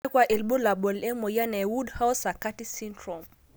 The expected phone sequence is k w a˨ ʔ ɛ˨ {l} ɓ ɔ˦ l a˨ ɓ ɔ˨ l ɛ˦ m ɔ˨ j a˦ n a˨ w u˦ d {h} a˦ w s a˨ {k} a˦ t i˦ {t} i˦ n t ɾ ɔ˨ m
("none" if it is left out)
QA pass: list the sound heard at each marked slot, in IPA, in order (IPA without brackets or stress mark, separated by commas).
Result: l, h, k, s